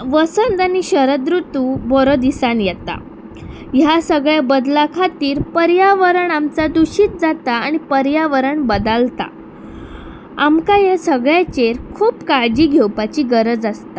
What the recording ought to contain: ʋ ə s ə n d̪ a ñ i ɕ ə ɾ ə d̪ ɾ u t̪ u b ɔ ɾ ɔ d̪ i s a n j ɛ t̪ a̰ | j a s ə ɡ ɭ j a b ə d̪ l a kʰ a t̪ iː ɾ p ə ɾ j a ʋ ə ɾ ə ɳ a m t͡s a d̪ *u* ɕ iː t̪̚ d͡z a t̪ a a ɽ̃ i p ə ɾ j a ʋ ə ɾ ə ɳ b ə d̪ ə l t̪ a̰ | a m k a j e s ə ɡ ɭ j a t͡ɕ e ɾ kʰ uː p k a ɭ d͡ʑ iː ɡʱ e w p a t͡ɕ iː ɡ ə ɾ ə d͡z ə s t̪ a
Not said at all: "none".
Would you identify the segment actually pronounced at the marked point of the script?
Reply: u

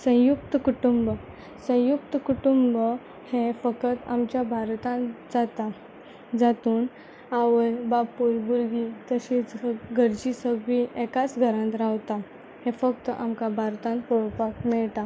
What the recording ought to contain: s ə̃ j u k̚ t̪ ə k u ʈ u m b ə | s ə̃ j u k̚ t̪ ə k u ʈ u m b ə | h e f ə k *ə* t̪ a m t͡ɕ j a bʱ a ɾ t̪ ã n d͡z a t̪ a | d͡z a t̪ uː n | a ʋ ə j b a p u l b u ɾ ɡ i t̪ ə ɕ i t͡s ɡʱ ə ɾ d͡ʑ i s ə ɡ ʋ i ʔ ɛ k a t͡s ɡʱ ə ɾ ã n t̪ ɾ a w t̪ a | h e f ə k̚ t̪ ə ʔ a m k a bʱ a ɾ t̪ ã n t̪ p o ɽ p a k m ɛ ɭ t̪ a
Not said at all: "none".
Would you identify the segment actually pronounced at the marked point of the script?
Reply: ə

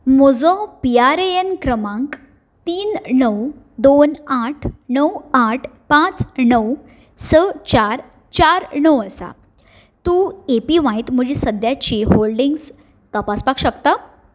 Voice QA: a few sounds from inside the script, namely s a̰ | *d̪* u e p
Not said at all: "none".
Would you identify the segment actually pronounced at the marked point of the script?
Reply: t̪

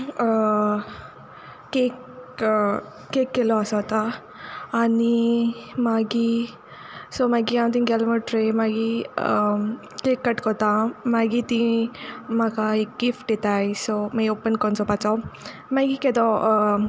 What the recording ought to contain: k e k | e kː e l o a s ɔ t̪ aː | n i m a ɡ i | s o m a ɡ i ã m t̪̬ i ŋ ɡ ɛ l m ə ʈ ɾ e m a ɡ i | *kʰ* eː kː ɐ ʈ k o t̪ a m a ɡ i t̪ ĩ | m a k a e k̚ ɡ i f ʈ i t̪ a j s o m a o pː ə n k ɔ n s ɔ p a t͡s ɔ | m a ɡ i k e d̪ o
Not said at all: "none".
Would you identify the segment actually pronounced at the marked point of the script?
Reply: k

